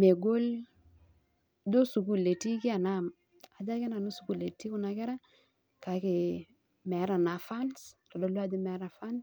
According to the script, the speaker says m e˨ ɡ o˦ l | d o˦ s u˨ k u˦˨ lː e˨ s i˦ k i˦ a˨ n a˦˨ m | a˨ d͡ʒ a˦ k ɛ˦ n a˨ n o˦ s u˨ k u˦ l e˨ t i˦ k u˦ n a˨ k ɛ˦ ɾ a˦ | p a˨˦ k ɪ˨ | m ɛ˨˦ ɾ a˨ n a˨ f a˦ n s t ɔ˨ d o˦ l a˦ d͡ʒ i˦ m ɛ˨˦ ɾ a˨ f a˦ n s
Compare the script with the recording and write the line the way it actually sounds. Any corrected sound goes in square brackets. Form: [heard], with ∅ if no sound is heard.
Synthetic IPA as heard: m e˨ ɡ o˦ l | d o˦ s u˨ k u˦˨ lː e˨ [t] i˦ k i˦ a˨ n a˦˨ m | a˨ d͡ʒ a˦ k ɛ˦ n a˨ n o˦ s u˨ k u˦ l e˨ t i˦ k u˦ n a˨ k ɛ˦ ɾ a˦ | [k] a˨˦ k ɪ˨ | m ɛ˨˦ ɾ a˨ n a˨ f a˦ n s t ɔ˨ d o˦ l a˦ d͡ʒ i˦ m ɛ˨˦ ɾ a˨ f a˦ n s